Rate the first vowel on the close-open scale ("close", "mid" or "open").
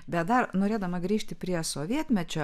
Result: mid